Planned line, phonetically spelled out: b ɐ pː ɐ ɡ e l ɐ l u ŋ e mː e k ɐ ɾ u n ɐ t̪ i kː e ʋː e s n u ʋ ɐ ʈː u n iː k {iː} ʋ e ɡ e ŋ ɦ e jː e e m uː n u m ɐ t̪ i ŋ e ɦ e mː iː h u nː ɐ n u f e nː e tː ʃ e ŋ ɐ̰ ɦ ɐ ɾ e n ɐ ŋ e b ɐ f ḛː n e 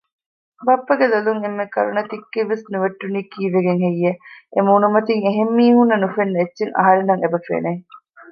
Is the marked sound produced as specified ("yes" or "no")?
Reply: yes